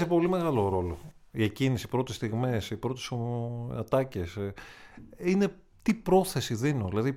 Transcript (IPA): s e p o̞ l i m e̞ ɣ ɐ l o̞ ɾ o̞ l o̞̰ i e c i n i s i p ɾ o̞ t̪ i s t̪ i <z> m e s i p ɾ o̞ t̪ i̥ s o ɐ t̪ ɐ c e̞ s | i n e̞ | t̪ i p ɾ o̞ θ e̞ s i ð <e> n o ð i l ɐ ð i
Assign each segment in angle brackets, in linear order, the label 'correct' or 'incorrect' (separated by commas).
incorrect, incorrect